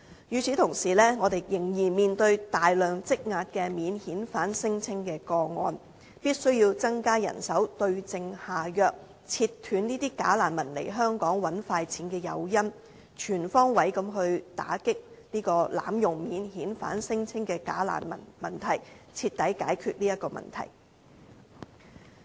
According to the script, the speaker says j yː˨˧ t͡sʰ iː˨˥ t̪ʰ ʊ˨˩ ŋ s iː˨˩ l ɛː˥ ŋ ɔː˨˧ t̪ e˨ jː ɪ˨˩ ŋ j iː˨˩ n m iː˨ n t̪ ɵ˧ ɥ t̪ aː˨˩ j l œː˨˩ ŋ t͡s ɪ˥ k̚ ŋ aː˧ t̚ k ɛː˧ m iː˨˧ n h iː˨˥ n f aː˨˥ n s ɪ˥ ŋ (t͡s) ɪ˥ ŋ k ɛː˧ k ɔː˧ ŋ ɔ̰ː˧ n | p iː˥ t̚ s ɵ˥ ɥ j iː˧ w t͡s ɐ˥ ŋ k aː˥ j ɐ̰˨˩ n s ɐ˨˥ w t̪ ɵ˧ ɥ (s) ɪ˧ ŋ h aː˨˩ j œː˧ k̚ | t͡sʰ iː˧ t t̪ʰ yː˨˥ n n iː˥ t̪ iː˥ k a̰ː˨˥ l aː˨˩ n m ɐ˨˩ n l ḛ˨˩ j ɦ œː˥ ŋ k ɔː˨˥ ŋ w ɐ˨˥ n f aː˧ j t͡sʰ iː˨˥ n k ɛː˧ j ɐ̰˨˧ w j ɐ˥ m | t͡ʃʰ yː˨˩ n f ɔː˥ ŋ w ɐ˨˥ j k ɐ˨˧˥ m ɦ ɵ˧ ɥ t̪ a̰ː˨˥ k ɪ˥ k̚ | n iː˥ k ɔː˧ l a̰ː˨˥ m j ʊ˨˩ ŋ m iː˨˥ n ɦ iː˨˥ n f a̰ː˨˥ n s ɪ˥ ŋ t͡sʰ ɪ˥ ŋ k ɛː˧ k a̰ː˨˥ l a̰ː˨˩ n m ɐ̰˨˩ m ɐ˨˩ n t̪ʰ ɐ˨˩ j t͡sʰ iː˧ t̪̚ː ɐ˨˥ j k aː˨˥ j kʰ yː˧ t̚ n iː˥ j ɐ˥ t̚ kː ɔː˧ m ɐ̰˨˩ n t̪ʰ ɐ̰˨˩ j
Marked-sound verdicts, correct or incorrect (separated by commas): incorrect, incorrect